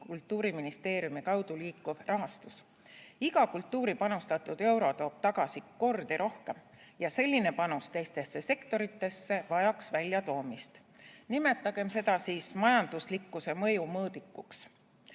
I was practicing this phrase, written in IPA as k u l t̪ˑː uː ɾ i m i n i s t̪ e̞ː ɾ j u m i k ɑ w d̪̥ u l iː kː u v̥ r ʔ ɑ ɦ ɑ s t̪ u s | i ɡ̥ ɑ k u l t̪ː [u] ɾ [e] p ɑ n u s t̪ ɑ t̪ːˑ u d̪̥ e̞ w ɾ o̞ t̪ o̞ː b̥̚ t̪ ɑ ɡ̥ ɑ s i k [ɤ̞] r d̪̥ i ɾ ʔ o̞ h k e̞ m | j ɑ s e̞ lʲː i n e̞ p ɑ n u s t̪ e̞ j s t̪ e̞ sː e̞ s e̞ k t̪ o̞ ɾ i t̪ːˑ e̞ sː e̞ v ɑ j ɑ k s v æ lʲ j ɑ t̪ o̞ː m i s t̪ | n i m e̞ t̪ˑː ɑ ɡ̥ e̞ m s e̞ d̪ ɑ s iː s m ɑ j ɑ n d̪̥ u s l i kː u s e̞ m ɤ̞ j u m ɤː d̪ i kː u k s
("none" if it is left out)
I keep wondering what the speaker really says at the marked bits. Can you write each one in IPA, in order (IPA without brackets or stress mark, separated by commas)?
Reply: uː, i, o̞